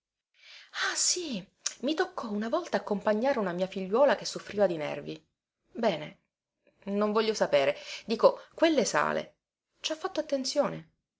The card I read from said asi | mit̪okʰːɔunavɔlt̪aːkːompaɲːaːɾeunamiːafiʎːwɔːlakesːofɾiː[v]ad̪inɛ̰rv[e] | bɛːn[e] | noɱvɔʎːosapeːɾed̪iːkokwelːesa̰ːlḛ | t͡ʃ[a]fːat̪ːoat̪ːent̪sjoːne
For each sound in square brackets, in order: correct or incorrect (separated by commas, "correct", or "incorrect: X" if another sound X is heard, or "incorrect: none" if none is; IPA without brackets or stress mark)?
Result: correct, incorrect: i, correct, correct